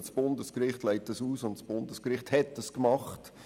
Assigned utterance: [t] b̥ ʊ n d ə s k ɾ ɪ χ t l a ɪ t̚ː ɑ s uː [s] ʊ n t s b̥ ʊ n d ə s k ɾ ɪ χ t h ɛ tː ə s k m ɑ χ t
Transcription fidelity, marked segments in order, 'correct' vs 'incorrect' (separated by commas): incorrect, correct